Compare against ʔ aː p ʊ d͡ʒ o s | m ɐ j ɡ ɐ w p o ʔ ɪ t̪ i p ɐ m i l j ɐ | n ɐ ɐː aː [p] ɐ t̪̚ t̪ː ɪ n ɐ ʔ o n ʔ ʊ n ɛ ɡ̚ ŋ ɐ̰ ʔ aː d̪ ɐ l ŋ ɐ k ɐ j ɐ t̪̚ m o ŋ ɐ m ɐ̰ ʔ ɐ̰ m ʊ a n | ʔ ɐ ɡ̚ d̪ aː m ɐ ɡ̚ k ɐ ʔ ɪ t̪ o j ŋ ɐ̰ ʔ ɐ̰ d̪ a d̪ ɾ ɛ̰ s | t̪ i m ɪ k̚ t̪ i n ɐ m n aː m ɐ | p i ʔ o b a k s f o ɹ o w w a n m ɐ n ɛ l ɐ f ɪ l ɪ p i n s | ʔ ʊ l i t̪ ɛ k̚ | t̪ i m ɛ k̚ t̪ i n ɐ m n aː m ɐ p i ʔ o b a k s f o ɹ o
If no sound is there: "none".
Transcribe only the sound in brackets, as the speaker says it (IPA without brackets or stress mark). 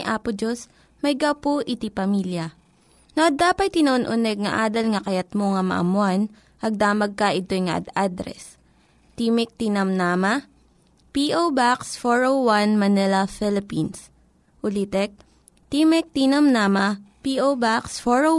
p